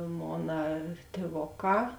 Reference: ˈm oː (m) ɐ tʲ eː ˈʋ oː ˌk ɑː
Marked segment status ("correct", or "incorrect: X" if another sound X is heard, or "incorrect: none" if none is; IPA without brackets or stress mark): incorrect: n